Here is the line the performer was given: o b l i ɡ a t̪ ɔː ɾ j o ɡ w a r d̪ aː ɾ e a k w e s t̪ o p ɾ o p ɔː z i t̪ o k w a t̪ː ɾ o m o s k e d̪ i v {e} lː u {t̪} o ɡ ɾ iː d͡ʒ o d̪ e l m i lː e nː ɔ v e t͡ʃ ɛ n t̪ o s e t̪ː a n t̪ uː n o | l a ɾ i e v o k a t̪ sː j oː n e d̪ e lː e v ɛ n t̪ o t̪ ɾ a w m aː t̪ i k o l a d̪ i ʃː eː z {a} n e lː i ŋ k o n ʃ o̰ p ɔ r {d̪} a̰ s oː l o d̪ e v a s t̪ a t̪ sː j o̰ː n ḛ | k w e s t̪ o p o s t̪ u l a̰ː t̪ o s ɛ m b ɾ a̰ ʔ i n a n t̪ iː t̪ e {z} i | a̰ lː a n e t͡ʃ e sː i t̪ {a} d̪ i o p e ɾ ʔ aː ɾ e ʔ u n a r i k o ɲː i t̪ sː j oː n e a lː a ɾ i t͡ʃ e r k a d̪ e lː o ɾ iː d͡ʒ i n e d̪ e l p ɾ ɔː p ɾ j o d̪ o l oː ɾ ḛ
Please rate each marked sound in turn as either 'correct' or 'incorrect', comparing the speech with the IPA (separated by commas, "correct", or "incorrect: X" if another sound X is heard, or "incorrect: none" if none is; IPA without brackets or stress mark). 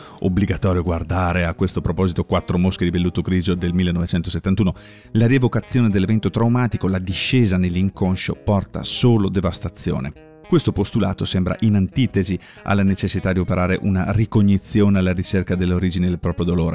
correct, correct, correct, incorrect: t̪, correct, correct